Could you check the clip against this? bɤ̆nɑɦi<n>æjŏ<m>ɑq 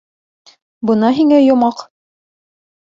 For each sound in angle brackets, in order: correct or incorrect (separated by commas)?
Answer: incorrect, correct